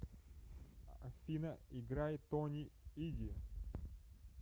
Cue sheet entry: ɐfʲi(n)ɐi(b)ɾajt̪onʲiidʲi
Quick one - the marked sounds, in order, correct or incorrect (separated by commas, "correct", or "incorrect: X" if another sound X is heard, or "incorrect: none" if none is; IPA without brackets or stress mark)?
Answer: correct, incorrect: ɡ